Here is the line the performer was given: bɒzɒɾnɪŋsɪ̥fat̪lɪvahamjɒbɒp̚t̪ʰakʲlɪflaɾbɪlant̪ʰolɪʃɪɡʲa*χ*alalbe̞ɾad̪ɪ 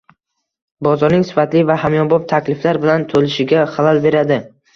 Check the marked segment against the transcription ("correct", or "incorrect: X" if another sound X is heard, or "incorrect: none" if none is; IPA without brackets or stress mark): correct